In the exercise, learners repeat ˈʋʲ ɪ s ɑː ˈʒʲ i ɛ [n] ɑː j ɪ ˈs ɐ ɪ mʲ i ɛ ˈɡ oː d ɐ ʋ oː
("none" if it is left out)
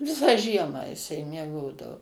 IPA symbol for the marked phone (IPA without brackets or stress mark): m